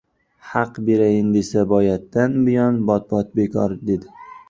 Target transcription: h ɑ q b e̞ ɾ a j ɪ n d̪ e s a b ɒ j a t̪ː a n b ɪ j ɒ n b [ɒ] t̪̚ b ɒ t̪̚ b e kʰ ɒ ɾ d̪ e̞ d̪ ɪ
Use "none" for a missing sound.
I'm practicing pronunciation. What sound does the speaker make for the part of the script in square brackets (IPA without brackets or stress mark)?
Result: ɒ